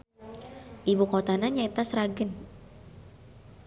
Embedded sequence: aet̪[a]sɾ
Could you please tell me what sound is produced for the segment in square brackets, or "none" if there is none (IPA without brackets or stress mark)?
a